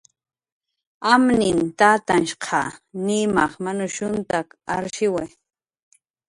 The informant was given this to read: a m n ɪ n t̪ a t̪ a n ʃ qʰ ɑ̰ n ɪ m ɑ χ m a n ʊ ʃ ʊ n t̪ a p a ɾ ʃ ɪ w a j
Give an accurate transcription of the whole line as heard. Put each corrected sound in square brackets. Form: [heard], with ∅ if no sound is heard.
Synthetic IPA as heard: a m n ɪ n t̪ a t̪ a n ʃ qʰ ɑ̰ n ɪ m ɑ χ m a n ʊ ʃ ʊ n t̪ a [k] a ɾ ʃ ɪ w a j